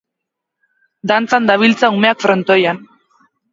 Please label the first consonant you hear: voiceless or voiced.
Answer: voiced